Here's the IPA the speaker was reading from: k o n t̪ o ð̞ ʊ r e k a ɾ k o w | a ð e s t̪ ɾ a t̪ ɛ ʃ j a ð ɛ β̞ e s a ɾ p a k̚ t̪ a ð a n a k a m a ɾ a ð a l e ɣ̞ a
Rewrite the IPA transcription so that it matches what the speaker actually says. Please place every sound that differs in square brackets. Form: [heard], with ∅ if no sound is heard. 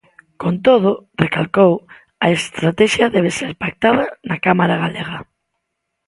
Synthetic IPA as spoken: k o n t̪ o ð̞ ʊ r e k a [l] k o w | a [∅] e s t̪ ɾ a t̪ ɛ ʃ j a ð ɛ β̞ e s [e] ɾ p a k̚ t̪ a ð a n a k a m a ɾ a [ɣ] a l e ɣ̞ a